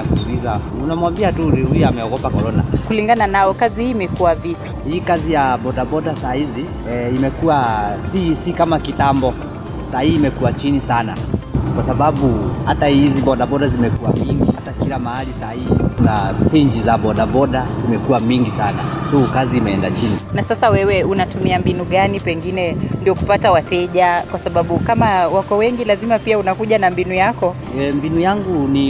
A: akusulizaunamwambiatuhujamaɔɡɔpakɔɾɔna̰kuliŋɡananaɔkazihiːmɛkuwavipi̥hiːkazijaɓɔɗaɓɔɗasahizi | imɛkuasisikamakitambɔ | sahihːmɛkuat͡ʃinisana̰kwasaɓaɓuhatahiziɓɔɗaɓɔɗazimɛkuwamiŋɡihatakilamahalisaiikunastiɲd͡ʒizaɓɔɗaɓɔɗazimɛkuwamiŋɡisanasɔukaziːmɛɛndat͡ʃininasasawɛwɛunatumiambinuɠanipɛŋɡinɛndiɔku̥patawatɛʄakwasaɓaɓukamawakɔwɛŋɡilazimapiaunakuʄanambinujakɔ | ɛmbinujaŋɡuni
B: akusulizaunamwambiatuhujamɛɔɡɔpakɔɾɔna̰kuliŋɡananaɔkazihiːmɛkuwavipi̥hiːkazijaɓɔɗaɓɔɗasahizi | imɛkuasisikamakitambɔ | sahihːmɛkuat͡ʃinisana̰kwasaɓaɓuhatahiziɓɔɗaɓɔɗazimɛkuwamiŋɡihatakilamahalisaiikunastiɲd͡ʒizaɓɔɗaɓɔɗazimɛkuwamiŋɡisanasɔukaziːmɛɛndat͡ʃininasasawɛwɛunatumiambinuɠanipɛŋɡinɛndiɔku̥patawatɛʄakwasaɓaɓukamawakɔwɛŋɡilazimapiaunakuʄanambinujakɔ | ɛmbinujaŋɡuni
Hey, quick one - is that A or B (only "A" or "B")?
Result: B